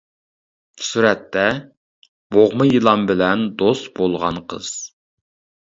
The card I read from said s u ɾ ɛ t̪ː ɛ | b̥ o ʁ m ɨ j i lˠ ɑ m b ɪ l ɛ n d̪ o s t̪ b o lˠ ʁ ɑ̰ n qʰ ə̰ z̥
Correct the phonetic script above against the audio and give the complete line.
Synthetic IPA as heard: s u ɾ ɛ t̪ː ɛ | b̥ o ʁ m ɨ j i lˠ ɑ m b ɪ l ɛ n d̪ o s t̪ b o lˠ ʁ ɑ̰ n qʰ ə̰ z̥